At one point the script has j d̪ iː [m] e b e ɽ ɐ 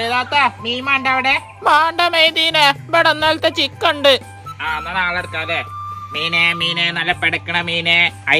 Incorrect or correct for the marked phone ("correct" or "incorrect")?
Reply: incorrect